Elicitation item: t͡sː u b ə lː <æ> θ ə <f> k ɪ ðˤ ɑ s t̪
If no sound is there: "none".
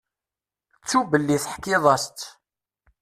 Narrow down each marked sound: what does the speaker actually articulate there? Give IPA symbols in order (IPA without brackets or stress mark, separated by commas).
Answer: i, ħ